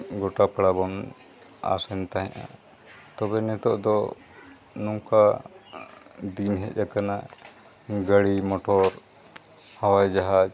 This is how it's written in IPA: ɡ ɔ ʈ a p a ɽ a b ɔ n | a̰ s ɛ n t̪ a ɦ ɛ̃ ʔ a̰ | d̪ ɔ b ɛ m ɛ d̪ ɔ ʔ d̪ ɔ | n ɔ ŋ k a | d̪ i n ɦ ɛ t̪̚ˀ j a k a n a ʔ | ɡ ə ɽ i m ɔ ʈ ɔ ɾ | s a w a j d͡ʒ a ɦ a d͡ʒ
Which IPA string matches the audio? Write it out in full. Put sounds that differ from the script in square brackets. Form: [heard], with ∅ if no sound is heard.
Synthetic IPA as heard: ɡ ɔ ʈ a p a ɽ a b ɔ n | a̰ s ɛ n t̪ a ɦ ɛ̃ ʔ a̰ | [t̪] ɔ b ɛ [n] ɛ [t̪] ɔ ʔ d̪ ɔ | n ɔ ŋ k a | d̪ i n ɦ ɛ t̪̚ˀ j a k a n a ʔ | ɡ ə ɽ i m ɔ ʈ ɔ ɾ | [h] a w a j d͡ʒ a ɦ a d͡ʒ